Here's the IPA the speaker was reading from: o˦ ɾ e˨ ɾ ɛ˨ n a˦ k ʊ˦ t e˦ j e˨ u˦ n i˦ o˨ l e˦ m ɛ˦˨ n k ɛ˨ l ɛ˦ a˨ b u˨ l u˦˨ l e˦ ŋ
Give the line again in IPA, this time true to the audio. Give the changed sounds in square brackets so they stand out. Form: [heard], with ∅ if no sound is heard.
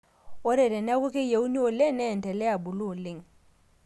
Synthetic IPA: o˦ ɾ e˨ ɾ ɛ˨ n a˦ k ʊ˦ [k] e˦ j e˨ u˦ n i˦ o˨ l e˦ [n] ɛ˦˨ n [t] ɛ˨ l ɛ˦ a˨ b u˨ l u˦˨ l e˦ ŋ